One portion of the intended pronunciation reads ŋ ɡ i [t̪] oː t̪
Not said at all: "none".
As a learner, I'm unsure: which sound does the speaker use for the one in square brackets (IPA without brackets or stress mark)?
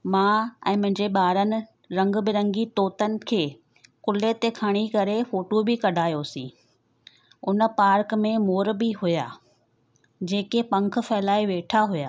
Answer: t̪